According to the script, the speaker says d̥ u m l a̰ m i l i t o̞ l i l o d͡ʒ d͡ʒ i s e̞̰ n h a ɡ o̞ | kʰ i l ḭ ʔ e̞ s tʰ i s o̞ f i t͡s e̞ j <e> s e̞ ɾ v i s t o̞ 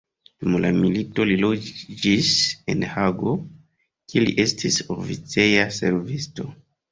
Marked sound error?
yes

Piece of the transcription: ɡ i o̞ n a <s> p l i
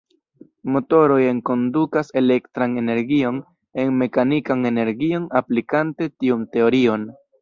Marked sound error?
yes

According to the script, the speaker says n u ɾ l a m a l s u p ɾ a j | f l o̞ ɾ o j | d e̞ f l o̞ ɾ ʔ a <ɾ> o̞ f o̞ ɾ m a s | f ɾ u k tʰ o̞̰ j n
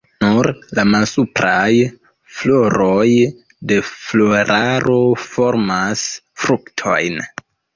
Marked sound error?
no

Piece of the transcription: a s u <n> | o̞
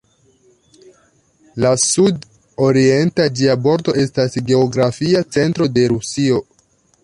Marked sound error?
yes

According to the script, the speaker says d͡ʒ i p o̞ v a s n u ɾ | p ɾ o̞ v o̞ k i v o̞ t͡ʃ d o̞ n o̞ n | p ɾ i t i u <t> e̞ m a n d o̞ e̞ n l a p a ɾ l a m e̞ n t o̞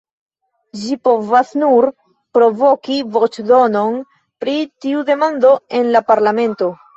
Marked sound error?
yes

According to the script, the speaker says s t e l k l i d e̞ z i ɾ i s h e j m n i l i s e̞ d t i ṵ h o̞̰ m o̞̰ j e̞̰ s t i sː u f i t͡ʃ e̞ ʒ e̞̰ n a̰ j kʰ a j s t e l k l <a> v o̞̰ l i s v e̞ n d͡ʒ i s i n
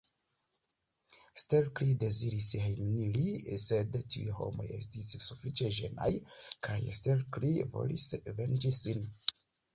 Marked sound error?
yes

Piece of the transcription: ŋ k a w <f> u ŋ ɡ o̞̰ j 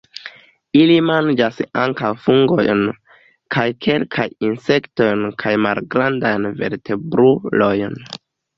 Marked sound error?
no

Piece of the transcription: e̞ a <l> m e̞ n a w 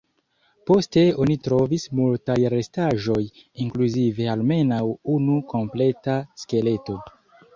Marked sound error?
no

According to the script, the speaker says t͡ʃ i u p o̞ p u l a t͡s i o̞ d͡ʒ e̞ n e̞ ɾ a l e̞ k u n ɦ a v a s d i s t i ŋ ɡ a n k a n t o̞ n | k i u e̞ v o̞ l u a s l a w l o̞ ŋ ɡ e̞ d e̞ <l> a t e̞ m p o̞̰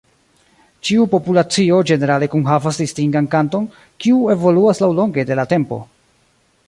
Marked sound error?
no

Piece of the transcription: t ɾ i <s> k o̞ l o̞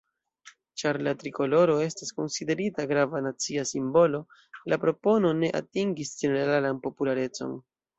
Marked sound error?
yes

